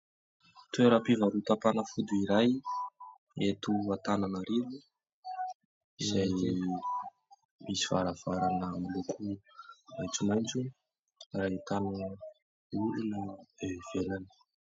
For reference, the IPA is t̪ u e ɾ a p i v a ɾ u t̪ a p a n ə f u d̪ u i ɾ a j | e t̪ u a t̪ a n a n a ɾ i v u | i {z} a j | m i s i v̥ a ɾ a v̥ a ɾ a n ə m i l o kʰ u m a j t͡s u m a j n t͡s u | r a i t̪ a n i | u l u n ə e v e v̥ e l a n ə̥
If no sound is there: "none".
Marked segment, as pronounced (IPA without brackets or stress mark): z